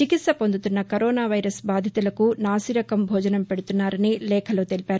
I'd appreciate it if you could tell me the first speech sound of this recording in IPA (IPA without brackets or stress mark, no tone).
t͡ʃ